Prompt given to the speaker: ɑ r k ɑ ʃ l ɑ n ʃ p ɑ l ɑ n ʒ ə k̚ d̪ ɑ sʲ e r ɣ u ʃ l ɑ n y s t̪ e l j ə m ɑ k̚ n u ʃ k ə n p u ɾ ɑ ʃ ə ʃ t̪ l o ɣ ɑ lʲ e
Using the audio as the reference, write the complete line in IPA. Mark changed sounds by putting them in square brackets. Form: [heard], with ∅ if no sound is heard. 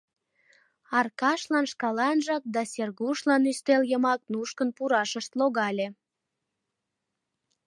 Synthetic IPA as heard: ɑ r k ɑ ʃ l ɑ n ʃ [k] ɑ l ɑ n ʒ [ɑ] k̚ d̪ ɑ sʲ e r ɣ u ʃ l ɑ n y s t̪ e l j ə m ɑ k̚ n u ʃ k ə n p u ɾ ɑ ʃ ə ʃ t̪ l o ɣ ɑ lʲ e